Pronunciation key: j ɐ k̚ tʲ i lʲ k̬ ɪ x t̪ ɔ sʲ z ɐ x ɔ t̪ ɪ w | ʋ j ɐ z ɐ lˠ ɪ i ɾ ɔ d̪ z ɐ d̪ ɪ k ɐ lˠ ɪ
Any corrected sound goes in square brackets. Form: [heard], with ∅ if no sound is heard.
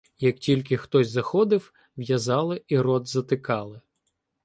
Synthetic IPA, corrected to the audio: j ɐ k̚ tʲ i lʲ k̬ ɪ x t̪ ɔ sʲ z ɐ x ɔ [d̪] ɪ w | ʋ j ɐ z [ɑ] lˠ ɪ i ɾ ɔ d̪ z ɐ [t̪] ɪ k [ɑ] lˠ ɪ

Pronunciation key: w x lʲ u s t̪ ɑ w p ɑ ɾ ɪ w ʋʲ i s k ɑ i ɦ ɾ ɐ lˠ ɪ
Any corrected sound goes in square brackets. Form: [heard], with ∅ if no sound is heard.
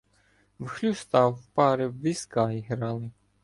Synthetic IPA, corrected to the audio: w x lʲ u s t̪ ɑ w p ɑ ɾ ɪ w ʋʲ i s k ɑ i ɦ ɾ [ɑ] lˠ ɪ

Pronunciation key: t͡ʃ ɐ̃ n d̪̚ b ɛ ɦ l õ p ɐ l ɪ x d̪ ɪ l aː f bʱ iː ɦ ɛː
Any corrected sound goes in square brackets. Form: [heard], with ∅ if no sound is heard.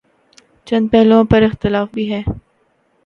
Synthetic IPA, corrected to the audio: t͡ʃ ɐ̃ n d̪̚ [p] ɛ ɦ l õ p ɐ [ɾ] ɪ x [t̪] ɪ l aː f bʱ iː ɦ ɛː

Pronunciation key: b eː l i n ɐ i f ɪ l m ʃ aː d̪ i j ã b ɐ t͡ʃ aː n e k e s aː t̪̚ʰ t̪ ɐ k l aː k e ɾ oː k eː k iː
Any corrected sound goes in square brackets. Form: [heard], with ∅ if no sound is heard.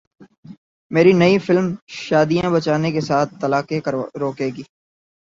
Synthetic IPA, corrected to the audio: [m] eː [ɾ] i n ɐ i f ɪ l m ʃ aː d̪ i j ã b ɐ t͡ʃ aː n e k e s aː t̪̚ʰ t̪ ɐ [∅] l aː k e ɾ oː k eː [ɡ] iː

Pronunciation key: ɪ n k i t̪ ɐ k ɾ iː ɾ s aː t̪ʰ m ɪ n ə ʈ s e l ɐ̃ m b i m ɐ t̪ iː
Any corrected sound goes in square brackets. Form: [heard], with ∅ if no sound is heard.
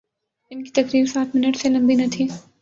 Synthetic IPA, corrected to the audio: ɪ n k i t̪ ɐ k ɾ iː ɾ s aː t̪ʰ m ɪ n ə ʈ s e l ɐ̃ m b i [n] ɐ [t̪ʰ] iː

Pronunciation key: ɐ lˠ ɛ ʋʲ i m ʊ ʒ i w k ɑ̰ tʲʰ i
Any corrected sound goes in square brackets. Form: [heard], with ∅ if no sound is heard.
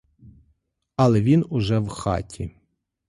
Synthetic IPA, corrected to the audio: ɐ lˠ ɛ ʋʲ i [n] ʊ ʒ [ɛ] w [x] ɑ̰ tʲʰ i

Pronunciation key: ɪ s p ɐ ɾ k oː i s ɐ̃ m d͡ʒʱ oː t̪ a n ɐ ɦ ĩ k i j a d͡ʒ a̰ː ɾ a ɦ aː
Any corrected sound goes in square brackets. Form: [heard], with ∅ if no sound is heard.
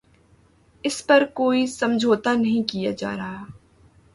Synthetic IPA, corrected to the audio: ɪ s p ɐ ɾ k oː i s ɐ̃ m d͡ʒʱ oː t̪ a n ɐ ɦ ĩ k i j a d͡ʒ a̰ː ɾ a ɦ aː

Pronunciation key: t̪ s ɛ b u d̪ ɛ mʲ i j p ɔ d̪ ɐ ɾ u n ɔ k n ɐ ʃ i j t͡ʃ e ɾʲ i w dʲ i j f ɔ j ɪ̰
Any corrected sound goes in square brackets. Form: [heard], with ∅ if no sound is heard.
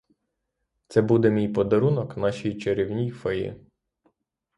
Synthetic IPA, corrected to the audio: t̪ s ɛ b u d̪ ɛ mʲ i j p ɔ d̪ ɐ ɾ u n ɔ k n [ɑ] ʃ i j t͡ʃ e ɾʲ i w [nʲ] i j f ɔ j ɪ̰

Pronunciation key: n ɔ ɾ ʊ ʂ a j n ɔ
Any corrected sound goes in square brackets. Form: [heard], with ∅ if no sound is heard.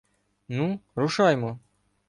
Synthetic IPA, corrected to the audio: n [u] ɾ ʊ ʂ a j [m] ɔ

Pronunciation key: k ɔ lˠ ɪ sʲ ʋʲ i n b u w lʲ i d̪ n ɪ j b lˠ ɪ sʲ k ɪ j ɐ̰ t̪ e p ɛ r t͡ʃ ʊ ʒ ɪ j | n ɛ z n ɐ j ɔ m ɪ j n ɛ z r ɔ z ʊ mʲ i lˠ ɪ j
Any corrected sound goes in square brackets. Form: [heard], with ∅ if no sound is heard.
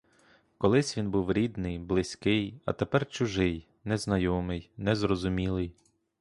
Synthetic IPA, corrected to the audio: k ɔ lˠ ɪ sʲ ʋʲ i n b u w [ɾʲ] i d̪ n ɪ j b lˠ ɪ sʲ k ɪ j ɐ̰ t̪ e p ɛ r t͡ʃ ʊ ʒ ɪ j | n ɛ z n ɐ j ɔ m ɪ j n ɛ z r ɔ z ʊ mʲ i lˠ ɪ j

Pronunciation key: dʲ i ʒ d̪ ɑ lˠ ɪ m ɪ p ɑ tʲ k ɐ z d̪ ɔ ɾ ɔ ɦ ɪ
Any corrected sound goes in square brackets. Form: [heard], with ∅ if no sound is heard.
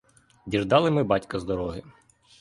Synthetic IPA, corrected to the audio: dʲ i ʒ d̪ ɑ lˠ ɪ m ɪ [b] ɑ tʲ k ɐ z d̪ ɔ ɾ ɔ ɦ ɪ

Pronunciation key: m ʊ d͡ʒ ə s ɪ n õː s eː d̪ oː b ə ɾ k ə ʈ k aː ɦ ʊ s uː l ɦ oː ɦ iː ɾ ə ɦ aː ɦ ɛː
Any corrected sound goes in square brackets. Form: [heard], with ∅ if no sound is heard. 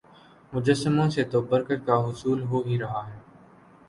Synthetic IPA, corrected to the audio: m ʊ d͡ʒ ə s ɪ [m] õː s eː [t̪] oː b ə ɾ k ə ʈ k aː ɦ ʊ s uː l ɦ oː ɦ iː ɾ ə ɦ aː ɦ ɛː

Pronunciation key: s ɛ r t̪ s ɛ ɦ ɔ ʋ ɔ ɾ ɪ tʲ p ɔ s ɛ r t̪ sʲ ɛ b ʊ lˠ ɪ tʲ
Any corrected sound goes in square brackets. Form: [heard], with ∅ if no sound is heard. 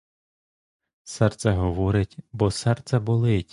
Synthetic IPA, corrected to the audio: s ɛ r t̪ s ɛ ɦ ɔ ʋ ɔ ɾ ɪ tʲ [b] ɔ s ɛ r t̪ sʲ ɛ b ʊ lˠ ɪ tʲ

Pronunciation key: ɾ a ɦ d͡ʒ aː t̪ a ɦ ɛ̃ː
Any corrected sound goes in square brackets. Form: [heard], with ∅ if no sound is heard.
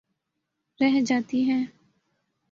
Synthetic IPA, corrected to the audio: ɾ [ɛ] ɦ d͡ʒ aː t̪ [i] ɦ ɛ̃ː

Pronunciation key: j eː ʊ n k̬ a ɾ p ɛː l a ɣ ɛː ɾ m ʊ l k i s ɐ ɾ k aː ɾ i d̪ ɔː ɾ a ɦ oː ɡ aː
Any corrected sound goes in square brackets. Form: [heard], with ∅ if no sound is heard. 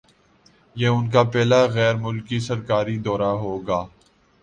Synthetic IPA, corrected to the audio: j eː ʊ n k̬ a [∅] p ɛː l a ɣ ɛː ɾ m ʊ l k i s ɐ ɾ k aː ɾ i d̪ ɔː ɾ a ɦ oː ɡ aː

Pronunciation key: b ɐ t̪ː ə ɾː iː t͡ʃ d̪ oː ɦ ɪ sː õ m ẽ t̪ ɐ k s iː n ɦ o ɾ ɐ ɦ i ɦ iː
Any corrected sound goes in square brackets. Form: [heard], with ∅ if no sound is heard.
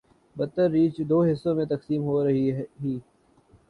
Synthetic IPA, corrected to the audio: b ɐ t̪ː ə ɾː iː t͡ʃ d̪ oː ɦ ɪ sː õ m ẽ t̪ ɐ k s iː [m] ɦ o ɾ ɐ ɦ i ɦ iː

